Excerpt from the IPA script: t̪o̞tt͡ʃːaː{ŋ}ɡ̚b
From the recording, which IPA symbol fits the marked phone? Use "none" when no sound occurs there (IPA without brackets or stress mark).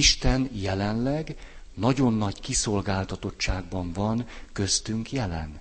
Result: none